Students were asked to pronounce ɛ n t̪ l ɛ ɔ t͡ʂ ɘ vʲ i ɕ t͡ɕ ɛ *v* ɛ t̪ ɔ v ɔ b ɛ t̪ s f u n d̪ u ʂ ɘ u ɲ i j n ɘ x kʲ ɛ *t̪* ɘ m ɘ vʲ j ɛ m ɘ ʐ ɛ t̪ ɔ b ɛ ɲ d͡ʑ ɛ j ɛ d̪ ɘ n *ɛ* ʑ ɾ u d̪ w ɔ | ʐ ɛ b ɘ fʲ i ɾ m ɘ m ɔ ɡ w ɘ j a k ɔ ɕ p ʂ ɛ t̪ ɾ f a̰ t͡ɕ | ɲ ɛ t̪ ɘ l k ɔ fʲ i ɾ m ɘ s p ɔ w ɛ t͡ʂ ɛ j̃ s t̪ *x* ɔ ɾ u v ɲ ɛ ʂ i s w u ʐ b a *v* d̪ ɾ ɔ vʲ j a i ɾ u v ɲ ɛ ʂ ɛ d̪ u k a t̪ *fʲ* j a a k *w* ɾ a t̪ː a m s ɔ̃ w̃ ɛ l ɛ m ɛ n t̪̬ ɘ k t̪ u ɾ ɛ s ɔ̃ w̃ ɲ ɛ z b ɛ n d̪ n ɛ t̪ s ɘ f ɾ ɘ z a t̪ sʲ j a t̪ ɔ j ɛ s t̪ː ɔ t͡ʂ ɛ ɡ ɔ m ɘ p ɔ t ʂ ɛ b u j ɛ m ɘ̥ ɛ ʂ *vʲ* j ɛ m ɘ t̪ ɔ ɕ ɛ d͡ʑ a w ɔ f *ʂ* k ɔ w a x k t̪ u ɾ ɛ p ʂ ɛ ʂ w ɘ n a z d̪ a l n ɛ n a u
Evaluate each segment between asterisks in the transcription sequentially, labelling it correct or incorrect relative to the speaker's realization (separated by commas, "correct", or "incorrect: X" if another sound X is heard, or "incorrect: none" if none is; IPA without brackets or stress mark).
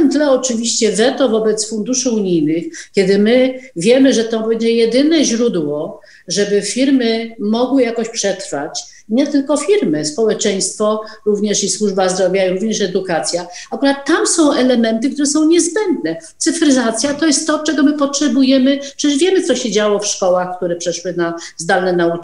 correct, incorrect: d̪, correct, incorrect: f, incorrect: z, incorrect: sʲ, incorrect: u, correct, correct